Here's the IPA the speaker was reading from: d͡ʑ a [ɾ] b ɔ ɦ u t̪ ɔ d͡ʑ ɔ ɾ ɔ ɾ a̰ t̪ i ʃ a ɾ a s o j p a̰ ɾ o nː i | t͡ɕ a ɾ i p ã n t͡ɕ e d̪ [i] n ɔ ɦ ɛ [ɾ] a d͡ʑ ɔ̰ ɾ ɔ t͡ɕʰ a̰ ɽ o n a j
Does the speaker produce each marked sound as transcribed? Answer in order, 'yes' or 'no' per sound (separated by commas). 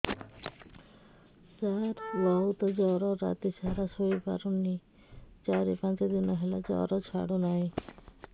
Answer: yes, yes, no